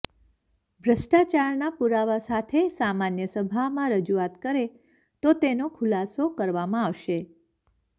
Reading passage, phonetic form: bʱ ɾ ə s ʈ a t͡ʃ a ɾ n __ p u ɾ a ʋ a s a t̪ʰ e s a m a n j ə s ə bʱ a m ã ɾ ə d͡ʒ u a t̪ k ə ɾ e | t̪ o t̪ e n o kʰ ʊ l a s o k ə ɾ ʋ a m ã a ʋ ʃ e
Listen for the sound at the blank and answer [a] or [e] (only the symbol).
a